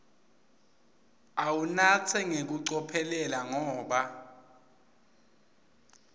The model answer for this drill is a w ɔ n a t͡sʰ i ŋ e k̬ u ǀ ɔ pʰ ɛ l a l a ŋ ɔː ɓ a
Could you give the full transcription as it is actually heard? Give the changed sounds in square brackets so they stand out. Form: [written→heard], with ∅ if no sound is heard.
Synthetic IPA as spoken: a w [ɔ→u] n a t͡sʰ [i→ɛ] ŋ e k̬ u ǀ ɔ pʰ ɛ l [a→ɛ] l a ŋ ɔː ɓ a